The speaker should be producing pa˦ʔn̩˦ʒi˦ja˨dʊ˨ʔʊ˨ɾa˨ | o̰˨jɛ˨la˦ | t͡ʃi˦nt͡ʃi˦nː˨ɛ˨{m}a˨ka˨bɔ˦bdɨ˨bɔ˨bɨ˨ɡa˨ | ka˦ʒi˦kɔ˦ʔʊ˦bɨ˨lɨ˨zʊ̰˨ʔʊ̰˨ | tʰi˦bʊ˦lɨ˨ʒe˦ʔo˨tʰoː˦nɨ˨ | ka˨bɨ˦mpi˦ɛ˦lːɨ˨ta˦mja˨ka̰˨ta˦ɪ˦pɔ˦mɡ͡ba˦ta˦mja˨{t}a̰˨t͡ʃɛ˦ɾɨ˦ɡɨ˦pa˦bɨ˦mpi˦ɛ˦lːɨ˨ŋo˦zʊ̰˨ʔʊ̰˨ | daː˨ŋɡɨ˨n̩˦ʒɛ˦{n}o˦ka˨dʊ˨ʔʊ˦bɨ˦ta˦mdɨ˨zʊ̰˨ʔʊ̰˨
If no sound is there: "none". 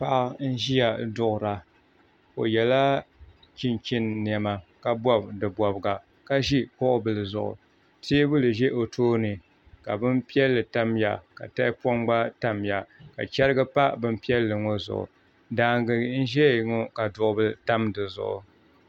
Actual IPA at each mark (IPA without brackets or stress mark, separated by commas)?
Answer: m, k, ŋ